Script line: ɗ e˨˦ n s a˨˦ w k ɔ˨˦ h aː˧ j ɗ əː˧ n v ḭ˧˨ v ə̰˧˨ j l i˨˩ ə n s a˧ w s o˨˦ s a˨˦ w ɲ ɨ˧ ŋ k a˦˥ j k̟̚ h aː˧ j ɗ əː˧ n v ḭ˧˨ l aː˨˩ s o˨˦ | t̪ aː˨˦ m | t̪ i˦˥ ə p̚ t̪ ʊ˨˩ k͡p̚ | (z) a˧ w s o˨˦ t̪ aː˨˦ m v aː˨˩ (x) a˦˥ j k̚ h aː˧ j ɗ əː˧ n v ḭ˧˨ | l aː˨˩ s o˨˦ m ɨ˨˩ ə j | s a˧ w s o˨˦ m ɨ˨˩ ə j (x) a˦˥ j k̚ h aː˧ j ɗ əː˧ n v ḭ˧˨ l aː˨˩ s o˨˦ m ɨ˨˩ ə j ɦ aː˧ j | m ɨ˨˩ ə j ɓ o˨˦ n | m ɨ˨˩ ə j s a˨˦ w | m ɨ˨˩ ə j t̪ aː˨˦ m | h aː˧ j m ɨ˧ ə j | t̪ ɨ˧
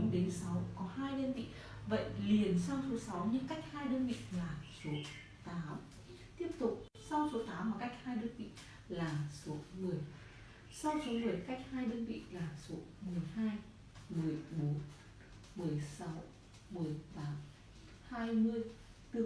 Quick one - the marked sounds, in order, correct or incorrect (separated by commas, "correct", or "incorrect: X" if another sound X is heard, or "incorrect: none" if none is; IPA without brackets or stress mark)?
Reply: incorrect: s, incorrect: k, incorrect: k